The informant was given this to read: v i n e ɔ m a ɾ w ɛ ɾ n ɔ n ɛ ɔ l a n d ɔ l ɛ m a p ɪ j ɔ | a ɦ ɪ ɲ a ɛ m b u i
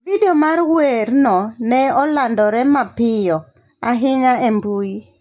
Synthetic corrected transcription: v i d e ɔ m a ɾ w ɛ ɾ n ɔ n ɛ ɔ l a n d ɔ ɾ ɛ m a p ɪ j ɔ | a ɦ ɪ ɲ a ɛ m b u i